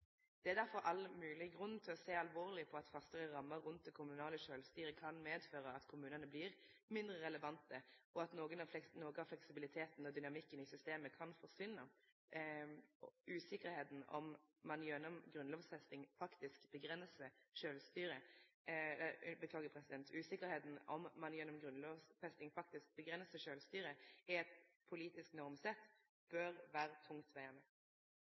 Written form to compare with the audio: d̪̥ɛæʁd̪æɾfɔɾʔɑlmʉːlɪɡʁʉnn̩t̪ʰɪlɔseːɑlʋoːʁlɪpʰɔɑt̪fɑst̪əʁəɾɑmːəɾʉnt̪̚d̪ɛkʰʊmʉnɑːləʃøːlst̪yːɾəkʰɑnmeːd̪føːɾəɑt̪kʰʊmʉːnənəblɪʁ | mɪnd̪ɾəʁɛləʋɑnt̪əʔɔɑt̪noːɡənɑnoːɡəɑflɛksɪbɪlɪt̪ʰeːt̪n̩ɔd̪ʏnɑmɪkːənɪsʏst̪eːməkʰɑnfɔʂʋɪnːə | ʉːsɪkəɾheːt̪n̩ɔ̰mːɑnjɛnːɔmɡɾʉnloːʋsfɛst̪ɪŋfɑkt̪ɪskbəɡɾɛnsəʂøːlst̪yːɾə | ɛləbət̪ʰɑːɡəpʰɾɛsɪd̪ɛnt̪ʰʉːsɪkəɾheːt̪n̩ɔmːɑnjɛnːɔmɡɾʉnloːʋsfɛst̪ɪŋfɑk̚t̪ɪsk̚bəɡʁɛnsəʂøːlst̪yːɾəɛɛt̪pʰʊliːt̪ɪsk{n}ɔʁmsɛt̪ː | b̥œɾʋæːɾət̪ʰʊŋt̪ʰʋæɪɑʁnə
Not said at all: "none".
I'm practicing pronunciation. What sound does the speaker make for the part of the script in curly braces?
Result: n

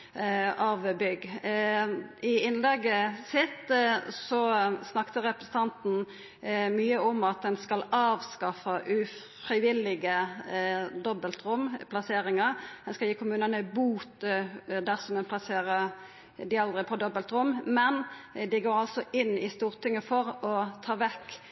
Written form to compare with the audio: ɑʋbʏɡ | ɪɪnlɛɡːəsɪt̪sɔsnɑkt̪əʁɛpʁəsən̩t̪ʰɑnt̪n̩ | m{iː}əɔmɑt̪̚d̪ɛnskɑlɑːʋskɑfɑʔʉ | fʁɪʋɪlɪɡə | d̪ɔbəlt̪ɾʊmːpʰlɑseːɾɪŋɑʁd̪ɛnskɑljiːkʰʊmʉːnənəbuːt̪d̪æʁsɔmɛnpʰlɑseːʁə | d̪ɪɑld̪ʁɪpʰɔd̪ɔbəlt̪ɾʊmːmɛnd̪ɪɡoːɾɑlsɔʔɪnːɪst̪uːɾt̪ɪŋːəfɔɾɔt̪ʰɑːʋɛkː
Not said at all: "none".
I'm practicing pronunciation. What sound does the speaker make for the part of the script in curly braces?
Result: yː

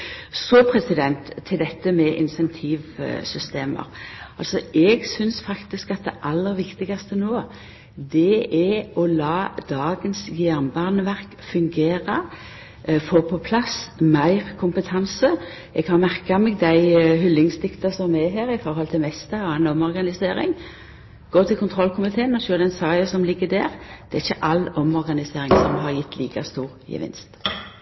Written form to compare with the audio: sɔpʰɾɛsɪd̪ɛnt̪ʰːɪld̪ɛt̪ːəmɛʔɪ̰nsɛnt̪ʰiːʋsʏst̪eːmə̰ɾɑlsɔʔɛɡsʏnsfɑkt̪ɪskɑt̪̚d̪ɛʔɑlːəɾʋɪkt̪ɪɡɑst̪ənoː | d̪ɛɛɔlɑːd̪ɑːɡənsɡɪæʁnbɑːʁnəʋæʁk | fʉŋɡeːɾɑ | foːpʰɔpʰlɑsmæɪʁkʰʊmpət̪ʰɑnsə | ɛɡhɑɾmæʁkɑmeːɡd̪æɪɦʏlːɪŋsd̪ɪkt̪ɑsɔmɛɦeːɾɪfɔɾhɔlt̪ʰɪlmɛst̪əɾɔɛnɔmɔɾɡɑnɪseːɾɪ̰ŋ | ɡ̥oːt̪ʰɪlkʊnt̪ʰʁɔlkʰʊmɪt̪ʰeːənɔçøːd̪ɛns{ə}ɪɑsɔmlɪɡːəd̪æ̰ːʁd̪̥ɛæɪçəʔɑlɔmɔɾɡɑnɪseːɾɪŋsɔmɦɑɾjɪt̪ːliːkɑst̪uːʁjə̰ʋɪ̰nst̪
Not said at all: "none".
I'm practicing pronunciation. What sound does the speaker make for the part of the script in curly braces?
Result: ɑ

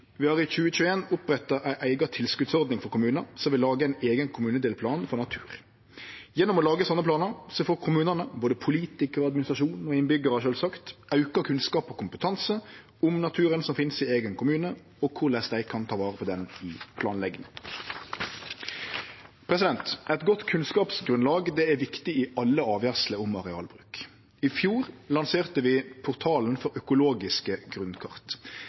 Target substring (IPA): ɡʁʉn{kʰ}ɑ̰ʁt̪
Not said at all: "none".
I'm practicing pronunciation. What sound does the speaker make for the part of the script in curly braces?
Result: kʰ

